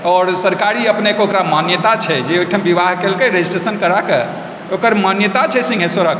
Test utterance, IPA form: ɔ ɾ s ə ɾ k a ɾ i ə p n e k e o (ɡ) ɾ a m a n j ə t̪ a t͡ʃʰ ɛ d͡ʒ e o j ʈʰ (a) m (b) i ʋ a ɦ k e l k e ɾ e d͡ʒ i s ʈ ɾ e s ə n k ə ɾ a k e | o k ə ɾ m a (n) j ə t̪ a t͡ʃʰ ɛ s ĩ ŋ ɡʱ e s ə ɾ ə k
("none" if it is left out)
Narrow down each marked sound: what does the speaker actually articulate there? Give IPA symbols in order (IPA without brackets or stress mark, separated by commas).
k, ə, b, n